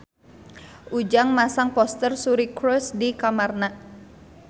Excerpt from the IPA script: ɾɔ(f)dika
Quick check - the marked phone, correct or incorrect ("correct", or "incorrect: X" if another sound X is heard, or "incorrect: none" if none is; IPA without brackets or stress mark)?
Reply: incorrect: s